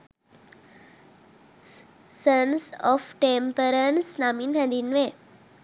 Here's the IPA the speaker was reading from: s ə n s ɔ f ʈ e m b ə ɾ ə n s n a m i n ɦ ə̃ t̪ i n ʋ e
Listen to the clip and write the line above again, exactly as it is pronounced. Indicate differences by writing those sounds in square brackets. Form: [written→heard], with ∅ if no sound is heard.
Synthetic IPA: s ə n s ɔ f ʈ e m [b→p] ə ɾ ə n s n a m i n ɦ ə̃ [t̪→d̪] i n ʋ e